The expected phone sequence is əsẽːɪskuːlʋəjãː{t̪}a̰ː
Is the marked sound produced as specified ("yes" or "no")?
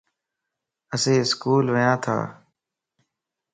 no